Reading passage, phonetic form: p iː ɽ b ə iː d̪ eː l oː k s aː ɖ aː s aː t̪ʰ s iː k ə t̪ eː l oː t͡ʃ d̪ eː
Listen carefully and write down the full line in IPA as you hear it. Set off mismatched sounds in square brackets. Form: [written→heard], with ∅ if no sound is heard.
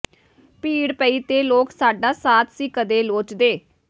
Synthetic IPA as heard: p iː ɽ [b→p] ə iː [d̪→t̪] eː l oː k s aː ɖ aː s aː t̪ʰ s iː k ə [t̪→d̪] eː l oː t͡ʃ d̪ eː